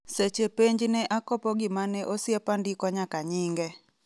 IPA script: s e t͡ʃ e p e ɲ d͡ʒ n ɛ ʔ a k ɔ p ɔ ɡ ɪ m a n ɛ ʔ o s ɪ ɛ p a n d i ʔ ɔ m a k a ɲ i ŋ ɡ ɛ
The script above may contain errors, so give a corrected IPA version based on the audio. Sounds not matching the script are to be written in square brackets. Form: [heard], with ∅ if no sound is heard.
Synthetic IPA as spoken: s e t͡ʃ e p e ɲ d͡ʒ n ɛ ʔ a k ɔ p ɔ ɡ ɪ m a n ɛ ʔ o s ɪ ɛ p a n d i [k] ɔ [ɲ] a k a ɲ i ŋ ɡ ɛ